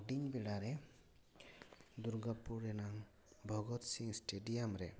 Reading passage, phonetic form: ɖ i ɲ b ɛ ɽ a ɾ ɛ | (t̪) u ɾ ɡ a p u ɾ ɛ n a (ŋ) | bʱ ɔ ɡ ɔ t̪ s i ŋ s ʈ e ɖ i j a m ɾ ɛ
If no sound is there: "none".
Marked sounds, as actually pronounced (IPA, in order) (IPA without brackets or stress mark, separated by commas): d̪, ŋ